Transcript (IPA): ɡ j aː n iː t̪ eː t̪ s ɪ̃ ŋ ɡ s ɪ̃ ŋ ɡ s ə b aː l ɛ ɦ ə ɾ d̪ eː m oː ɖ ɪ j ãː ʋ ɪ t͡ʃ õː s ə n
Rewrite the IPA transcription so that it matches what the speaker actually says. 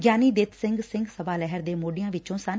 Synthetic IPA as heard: ɡ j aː n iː d̪ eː t̪ s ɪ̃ ŋ ɡ s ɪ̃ ŋ ɡ s ə b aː l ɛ ɦ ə ɾ d̪ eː m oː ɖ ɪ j ãː ʋ ɪ t͡ʃ õː s ə n